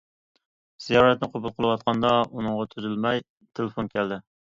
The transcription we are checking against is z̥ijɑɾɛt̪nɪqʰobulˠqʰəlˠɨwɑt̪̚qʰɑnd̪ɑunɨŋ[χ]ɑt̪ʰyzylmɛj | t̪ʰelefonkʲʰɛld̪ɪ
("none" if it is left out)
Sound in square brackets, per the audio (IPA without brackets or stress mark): ʁ